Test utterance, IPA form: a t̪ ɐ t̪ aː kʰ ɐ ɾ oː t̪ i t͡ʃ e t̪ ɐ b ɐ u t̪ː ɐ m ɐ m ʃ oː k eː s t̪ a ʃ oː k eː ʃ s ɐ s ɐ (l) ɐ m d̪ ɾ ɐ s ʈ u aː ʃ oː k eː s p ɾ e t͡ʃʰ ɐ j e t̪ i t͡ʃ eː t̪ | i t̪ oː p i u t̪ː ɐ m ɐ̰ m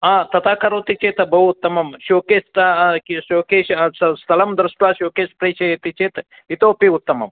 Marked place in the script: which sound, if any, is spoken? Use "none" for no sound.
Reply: l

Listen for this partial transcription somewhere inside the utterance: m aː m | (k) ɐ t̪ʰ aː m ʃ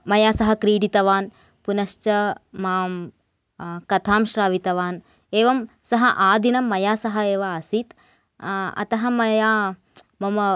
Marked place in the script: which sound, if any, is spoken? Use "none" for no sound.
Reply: k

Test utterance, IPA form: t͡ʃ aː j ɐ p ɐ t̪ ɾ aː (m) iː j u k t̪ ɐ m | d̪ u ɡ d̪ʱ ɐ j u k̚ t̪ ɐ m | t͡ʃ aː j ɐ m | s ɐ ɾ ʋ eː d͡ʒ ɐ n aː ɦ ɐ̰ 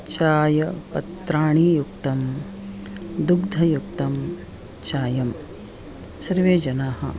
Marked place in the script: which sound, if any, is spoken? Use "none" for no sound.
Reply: ɳ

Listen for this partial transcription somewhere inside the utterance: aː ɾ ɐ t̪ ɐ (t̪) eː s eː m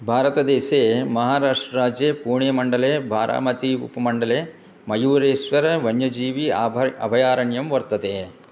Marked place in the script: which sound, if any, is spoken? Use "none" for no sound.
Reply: d̪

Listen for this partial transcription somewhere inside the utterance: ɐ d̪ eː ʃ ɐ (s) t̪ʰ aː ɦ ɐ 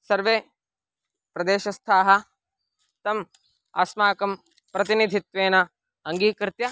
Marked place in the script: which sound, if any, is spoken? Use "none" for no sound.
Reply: s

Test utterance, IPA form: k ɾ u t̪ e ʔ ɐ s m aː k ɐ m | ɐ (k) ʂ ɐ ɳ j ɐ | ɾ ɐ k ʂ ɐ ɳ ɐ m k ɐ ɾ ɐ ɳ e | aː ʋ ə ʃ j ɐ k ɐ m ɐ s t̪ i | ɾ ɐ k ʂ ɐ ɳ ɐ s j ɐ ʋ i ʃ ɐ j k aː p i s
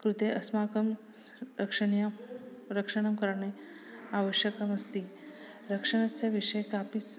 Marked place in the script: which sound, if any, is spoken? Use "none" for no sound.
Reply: k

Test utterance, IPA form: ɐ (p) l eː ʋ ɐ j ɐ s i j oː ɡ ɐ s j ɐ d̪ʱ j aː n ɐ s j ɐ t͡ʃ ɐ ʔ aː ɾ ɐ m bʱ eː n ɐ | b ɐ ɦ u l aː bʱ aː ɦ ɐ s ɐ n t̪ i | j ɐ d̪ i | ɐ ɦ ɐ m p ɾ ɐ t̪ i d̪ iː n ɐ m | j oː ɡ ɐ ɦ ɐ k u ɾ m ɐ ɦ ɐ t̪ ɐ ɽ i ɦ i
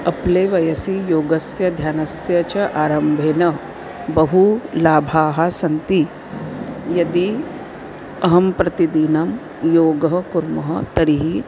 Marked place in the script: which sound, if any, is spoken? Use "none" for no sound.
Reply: p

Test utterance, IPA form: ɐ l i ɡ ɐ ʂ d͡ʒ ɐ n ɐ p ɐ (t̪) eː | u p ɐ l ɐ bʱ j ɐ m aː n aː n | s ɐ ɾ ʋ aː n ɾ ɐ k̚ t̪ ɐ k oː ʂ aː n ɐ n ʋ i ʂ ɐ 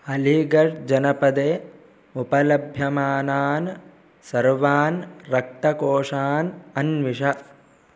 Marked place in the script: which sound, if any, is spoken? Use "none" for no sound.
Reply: d̪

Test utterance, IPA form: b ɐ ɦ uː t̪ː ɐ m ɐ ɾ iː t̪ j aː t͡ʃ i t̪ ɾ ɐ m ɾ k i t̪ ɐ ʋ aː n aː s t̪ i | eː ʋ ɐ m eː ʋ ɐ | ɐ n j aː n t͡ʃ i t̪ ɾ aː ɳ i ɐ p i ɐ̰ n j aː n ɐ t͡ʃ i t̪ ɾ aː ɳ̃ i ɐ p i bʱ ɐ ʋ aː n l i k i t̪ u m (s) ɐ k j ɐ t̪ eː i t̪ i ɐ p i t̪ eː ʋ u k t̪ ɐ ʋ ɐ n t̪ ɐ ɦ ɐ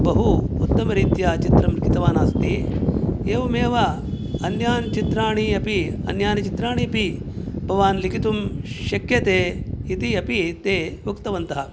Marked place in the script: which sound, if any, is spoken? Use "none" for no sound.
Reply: ʃ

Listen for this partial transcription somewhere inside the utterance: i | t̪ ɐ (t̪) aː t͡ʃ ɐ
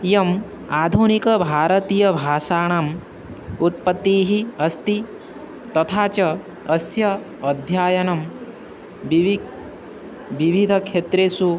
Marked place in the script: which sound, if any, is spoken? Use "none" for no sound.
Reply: t̪ʰ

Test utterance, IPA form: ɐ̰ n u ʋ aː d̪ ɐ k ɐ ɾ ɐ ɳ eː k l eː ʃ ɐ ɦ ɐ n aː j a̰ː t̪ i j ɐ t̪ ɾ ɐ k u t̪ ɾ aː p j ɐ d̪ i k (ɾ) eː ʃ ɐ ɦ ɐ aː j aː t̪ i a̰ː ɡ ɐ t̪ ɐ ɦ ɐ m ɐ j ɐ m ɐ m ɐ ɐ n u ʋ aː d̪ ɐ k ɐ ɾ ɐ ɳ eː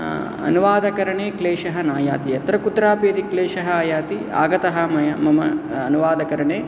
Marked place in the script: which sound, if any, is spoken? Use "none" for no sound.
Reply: l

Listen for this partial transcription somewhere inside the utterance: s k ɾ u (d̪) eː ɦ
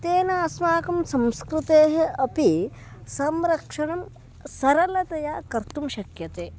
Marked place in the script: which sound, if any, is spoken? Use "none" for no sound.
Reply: t̪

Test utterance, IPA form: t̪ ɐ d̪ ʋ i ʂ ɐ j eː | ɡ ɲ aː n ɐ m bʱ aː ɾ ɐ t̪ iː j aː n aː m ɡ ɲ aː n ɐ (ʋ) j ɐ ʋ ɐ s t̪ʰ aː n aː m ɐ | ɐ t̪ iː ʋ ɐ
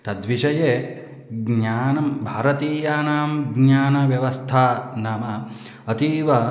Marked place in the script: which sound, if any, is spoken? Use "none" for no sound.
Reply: ʋ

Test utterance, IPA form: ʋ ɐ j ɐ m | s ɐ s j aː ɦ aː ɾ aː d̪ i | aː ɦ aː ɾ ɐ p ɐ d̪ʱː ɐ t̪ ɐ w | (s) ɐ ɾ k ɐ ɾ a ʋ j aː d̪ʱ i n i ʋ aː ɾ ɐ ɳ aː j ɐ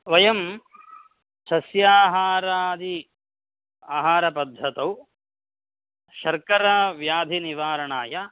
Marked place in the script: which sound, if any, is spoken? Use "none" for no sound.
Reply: ʃ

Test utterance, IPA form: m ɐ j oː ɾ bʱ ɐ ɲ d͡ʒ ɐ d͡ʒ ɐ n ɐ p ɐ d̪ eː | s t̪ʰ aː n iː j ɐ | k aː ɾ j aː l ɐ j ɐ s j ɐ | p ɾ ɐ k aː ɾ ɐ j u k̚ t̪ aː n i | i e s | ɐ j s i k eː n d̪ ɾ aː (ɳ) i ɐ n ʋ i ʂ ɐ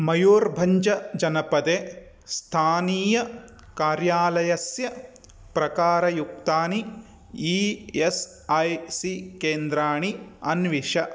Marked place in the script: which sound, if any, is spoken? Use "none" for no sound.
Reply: ɳ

